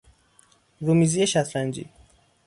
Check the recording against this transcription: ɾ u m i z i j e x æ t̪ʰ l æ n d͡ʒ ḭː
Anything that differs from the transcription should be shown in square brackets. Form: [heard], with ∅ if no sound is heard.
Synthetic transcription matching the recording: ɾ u m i z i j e [ʃ] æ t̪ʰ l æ n d͡ʒ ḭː